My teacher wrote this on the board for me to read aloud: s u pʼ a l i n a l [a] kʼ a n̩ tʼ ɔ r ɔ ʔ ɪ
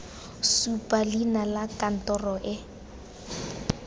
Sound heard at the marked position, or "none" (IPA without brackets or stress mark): a